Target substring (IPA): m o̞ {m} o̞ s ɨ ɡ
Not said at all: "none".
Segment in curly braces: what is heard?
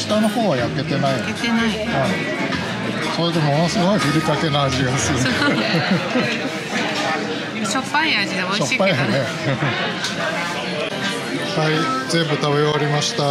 n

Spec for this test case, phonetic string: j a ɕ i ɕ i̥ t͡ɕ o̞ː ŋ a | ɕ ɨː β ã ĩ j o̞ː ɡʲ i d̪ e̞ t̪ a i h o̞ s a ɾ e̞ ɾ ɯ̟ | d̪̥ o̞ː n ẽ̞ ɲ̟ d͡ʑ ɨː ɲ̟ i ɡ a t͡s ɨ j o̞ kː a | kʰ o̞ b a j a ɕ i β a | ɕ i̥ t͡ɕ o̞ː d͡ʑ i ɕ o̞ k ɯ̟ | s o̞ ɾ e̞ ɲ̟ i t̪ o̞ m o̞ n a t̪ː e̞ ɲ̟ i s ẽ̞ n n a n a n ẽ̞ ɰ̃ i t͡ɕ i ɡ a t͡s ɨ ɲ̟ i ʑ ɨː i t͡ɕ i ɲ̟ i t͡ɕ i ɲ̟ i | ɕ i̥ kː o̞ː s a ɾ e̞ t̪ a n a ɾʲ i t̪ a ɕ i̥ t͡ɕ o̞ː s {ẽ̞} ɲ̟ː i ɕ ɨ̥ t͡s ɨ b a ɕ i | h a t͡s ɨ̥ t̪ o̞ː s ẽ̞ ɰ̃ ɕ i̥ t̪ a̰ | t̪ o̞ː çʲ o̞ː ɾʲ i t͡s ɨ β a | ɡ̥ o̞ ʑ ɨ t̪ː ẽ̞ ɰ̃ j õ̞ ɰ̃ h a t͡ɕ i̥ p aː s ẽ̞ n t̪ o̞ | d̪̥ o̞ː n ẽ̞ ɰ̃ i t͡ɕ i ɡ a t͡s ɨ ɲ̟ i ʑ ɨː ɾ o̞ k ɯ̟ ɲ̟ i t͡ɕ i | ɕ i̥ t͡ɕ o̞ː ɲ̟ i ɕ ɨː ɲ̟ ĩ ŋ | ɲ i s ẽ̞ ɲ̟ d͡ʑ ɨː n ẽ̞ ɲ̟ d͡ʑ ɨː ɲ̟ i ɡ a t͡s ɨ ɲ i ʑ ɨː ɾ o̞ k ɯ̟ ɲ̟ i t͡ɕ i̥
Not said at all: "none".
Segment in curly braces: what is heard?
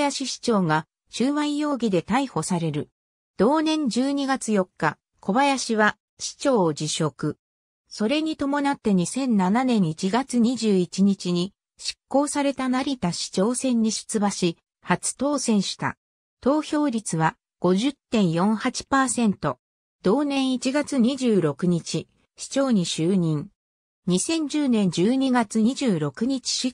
ẽ̞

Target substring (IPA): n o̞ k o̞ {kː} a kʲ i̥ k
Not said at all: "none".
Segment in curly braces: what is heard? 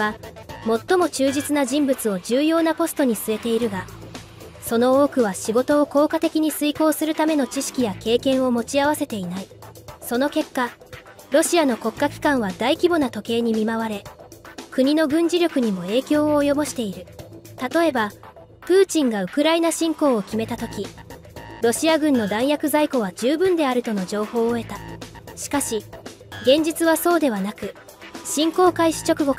kː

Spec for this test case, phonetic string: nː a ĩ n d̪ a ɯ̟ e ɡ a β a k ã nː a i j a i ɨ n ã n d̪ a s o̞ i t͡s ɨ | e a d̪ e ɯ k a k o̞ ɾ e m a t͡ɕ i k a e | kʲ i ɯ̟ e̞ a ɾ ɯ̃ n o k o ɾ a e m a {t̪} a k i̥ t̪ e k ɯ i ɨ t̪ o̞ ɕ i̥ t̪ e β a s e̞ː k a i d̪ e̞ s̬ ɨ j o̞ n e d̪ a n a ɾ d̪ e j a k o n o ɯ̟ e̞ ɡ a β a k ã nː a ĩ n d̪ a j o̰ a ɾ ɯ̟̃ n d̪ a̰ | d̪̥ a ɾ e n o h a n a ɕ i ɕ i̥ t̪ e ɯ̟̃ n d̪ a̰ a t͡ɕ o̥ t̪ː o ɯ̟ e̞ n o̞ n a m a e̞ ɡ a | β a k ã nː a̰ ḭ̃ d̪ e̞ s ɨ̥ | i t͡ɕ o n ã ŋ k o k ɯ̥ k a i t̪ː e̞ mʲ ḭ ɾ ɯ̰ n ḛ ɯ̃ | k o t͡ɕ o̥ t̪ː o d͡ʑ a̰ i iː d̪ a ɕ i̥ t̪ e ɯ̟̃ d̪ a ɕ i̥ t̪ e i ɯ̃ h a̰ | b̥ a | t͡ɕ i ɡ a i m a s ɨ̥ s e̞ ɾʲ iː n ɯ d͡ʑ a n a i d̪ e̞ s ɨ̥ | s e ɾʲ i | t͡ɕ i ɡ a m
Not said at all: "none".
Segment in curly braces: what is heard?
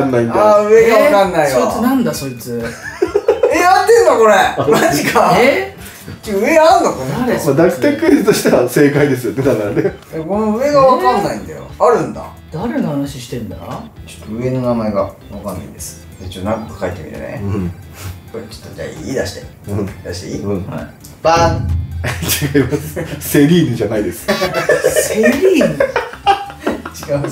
d̪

